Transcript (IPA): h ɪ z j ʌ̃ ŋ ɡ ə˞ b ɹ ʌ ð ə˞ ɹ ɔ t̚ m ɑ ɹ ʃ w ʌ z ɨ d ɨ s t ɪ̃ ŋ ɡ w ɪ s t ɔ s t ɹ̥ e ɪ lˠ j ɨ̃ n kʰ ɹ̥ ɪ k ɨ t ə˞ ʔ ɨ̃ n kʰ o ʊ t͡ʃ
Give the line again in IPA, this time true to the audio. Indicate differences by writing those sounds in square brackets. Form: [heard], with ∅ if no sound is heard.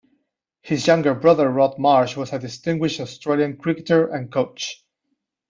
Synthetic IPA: h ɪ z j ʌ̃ ŋ ɡ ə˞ b ɹ ʌ ð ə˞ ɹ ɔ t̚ m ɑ ɹ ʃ w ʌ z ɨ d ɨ s t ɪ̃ ŋ ɡ w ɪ [ʃ] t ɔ s t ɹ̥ e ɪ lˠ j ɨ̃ n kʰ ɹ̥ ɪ k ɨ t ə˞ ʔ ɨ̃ n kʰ o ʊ t͡ʃ